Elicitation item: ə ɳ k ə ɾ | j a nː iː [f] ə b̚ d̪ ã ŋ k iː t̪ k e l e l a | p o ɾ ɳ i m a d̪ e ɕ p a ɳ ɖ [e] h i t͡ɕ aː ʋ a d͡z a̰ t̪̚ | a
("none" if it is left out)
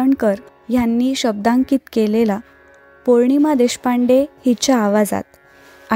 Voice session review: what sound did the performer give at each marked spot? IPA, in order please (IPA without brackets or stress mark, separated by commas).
ɕ, e